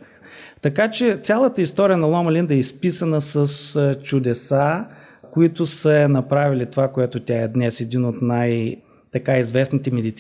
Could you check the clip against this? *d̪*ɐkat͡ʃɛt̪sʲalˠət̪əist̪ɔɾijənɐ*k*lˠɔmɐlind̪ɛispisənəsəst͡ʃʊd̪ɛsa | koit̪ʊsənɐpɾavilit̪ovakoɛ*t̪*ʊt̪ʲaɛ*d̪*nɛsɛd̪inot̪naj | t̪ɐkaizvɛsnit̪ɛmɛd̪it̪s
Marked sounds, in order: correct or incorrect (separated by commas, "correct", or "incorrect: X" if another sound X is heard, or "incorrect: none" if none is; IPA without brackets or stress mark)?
incorrect: t̪, incorrect: none, correct, correct